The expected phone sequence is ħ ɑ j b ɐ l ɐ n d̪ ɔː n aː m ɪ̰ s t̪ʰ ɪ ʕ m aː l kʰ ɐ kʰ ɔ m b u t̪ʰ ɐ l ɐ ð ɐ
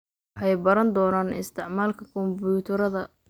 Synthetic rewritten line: ħ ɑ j b ɐ ɾ ɐ n d̪ ɔː n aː n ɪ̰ s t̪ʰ ɪ ʕ m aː l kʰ ɐ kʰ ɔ m b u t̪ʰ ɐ ɾ ɐ ð ɐ